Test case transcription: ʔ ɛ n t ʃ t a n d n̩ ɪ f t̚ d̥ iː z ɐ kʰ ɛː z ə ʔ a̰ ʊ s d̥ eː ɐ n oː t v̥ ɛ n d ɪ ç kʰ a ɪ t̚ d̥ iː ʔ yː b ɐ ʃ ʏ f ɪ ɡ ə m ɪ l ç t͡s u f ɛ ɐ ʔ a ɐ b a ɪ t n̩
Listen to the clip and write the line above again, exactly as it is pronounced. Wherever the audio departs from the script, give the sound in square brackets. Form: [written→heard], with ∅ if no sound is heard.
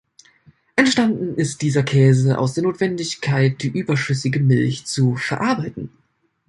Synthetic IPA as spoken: ʔ ɛ n t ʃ t a n d n̩ ɪ [f→s] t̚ d̥ iː z ɐ kʰ ɛː z ə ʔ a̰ ʊ s d̥ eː ɐ n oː t v̥ ɛ n d ɪ ç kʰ a ɪ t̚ d̥ iː ʔ yː b ɐ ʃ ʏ [f→s] ɪ ɡ ə m ɪ l ç t͡s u f ɛ ɐ ʔ a ɐ b a ɪ t n̩